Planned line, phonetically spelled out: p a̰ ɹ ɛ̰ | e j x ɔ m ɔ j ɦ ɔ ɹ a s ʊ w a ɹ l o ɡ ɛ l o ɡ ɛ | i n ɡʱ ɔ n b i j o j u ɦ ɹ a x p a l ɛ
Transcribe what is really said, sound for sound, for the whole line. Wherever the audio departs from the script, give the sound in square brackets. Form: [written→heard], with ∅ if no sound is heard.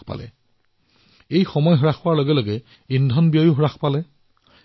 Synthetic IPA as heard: p a̰ [ɹ→l] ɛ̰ | e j x ɔ m ɔ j ɦ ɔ ɹ a [s→x] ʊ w a ɹ l o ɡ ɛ l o ɡ ɛ | i n [ɡʱ→dʱ] ɔ n b i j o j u ɦ ɹ a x p a l ɛ